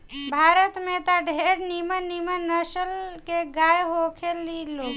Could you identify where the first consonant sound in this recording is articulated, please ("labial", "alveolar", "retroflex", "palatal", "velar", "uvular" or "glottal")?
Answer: labial